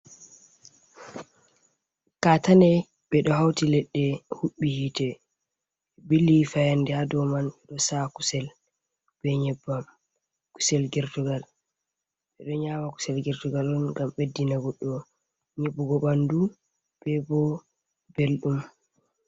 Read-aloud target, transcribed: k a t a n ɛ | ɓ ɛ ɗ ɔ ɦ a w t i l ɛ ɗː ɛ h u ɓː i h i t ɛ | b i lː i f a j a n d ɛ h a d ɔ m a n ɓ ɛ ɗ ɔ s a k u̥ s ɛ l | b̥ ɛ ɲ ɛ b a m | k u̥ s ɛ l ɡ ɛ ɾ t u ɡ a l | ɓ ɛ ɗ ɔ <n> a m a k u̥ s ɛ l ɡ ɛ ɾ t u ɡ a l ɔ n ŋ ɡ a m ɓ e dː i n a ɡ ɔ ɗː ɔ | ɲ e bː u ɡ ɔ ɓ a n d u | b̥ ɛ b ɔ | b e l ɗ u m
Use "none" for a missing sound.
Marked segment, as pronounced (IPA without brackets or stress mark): ɲ